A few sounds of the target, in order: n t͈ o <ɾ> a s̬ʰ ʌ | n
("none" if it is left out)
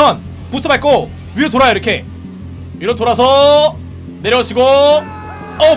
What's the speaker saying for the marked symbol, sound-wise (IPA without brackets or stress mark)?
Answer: ɾ